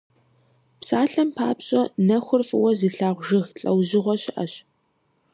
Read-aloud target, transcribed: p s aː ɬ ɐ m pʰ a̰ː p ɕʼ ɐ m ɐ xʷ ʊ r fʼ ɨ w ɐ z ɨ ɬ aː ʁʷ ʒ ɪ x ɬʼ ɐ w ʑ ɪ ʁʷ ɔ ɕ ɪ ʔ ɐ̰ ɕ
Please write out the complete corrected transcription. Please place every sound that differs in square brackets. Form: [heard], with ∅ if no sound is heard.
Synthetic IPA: p s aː ɬ ɐ m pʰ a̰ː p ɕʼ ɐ [n] ɐ xʷ ʊ r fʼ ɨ w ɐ z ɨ ɬ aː ʁʷ ʒ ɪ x ɬʼ ɐ w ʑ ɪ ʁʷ ɔ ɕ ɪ ʔ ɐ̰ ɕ